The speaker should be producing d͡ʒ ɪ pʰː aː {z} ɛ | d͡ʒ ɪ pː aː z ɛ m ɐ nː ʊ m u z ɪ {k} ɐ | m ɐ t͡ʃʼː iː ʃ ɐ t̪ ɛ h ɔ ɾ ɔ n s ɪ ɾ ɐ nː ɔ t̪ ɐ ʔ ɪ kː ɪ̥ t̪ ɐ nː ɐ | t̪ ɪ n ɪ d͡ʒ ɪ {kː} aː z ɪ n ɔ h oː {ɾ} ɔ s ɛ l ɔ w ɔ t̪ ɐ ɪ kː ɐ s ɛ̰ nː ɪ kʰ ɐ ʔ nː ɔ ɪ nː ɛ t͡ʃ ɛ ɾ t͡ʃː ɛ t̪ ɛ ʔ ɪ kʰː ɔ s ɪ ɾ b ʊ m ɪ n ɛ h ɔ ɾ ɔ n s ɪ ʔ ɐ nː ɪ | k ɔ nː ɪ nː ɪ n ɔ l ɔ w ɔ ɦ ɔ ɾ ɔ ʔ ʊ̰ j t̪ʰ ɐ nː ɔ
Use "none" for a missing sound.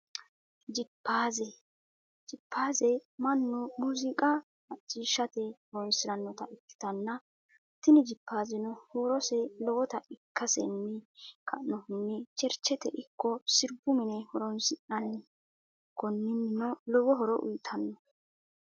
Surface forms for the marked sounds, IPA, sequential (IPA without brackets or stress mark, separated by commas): z, kʼ, pː, ɾ